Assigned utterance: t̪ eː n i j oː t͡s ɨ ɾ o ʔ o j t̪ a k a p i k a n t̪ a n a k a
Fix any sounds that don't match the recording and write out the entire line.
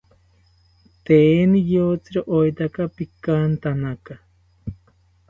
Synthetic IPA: t̪ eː n i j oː t͡s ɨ ɾ o ʔ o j t̪ a k a p i k a n t̪ a n a k a